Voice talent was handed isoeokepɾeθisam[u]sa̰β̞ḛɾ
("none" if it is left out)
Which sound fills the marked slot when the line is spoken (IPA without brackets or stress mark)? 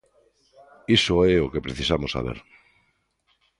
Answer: o